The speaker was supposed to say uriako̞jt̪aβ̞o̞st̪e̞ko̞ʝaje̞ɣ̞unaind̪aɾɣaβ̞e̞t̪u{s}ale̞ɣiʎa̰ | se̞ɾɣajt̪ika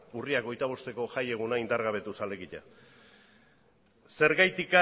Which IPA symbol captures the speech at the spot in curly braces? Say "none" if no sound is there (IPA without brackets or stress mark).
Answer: s